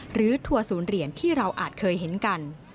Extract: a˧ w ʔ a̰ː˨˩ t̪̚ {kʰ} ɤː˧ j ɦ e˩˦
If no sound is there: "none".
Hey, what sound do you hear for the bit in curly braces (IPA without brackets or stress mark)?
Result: kʰ